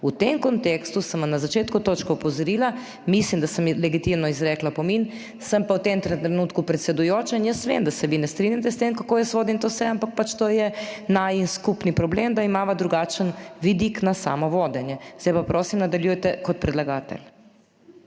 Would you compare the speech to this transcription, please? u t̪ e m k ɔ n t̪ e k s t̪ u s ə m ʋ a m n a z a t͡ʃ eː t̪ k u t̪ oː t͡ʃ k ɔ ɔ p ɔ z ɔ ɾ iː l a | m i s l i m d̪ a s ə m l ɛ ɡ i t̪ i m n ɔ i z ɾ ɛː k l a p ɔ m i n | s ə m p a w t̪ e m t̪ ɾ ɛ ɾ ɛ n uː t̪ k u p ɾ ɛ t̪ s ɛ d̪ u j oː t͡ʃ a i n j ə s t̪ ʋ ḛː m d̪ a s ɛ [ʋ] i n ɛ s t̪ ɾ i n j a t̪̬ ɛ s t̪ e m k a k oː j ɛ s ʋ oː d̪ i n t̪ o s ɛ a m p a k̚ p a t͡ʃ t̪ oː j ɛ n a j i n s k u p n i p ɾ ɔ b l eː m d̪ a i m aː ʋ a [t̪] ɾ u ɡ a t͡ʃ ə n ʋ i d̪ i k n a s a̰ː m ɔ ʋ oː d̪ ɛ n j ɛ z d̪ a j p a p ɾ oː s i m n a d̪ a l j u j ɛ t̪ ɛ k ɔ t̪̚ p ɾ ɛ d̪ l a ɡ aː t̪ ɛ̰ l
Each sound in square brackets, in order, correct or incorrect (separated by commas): correct, incorrect